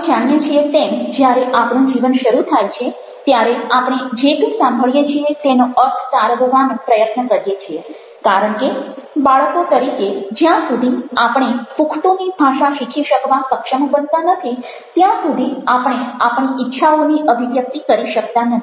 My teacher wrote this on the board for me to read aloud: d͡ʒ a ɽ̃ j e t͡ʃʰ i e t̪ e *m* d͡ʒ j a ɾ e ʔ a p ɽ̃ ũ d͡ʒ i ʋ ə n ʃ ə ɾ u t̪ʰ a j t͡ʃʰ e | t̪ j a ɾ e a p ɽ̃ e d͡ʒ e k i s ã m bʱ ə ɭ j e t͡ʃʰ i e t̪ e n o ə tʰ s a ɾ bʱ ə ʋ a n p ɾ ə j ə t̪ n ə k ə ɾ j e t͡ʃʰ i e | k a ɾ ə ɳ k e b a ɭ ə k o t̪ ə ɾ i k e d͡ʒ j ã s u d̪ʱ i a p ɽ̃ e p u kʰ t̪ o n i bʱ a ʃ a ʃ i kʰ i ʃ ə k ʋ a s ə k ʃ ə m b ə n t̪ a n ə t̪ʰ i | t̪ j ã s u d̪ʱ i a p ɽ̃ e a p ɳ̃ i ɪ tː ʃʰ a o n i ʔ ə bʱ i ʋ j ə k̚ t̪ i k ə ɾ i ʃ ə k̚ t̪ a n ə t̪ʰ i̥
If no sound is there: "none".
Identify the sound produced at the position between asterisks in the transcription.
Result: m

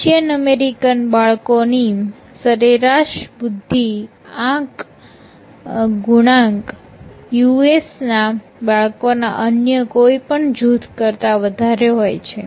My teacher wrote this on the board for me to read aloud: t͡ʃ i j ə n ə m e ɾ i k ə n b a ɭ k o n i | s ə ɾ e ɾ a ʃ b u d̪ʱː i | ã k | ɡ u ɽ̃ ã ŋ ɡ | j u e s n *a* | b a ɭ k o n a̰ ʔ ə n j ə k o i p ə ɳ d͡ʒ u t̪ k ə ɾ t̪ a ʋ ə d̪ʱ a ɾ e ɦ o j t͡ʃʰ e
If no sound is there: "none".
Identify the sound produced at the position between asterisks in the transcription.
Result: a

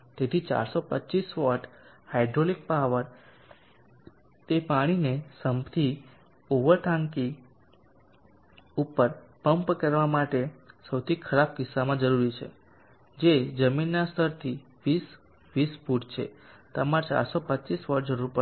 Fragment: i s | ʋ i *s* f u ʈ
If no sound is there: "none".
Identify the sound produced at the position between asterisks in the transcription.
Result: s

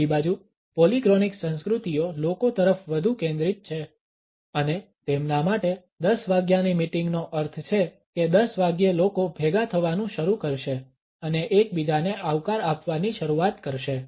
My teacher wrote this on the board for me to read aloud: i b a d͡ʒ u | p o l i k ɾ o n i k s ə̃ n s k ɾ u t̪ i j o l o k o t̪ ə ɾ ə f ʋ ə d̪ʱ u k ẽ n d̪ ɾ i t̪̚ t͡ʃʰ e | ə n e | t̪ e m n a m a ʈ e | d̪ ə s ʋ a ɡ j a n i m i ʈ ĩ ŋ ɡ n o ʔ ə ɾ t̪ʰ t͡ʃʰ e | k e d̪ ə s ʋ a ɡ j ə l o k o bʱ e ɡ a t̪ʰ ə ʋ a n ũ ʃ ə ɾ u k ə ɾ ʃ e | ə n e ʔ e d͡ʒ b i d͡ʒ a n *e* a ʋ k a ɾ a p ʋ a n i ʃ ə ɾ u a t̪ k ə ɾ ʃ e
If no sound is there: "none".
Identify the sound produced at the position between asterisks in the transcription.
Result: e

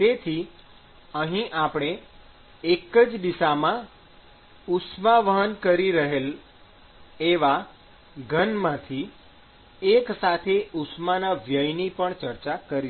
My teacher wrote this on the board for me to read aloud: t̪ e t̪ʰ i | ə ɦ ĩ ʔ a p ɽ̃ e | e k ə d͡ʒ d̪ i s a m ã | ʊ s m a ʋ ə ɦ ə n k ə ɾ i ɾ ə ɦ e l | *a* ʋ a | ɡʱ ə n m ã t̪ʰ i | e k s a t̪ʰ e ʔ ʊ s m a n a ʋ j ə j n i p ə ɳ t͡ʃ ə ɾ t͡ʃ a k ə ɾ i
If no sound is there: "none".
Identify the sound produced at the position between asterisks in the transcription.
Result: e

